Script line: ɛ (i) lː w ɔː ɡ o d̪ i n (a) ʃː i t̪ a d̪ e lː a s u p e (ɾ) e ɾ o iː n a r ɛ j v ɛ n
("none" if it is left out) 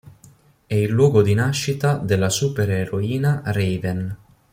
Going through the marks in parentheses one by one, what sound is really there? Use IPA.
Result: i, a, ɾ

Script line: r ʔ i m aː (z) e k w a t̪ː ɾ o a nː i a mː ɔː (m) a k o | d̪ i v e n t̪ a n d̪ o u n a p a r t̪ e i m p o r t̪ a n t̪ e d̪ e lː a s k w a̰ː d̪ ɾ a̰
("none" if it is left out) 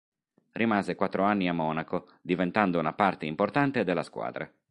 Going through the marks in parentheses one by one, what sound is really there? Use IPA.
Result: z, n

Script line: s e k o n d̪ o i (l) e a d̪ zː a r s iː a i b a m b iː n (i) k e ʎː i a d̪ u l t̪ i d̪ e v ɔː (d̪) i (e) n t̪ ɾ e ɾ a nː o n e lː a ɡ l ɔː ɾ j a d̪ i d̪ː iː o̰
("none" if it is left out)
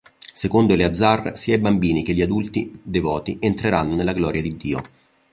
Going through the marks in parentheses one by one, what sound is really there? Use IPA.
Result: l, i, t̪, e

